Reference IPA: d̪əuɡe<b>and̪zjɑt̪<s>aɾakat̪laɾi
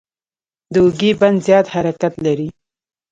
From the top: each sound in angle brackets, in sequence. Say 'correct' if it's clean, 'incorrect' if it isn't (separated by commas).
correct, incorrect